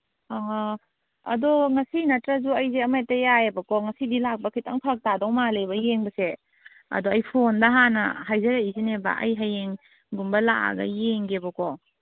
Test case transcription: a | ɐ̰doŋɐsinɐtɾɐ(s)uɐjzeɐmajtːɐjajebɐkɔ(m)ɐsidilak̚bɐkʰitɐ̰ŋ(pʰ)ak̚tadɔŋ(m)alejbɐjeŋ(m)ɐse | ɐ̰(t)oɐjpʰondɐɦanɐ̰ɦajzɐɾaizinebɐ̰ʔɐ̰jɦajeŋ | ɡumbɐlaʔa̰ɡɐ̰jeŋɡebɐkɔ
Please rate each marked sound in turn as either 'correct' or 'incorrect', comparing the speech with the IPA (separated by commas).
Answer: incorrect, incorrect, correct, correct, incorrect, incorrect